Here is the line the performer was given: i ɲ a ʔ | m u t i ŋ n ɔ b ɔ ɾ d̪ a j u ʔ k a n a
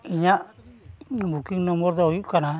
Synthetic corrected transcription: i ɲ a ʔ | b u k i ŋ n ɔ m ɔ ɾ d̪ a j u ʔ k a n a